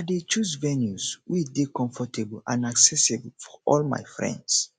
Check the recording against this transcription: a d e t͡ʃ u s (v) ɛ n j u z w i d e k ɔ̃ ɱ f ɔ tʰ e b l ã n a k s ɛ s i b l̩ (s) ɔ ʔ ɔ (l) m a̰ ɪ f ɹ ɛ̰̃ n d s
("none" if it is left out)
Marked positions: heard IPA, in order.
v, f, l

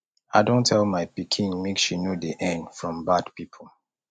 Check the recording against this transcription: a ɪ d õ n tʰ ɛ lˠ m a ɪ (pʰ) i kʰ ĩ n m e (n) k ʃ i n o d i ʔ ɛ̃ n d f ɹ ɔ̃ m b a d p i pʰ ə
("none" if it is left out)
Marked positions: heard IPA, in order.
p, none

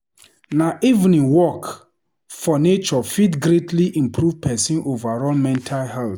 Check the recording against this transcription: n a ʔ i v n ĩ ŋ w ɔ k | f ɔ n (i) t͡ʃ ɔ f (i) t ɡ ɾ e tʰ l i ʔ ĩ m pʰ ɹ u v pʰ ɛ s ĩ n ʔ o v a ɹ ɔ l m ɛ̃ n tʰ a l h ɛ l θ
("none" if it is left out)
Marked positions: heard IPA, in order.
e, i

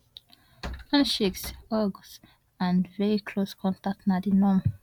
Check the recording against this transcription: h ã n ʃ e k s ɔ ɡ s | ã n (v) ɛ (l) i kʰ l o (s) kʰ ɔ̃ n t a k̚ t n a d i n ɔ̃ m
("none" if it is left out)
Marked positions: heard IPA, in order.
v, ɹ, s

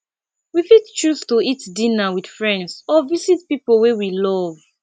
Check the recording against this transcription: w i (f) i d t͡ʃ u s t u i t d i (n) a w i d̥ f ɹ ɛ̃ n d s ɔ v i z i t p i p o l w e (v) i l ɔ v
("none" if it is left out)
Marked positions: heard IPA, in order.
f, n, w

